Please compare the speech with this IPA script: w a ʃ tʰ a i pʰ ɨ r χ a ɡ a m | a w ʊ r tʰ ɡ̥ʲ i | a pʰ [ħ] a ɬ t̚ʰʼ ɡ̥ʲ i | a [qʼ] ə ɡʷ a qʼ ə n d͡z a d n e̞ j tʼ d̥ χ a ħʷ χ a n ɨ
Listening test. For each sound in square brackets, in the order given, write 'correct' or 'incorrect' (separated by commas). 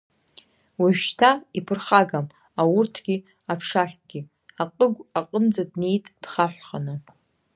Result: incorrect, correct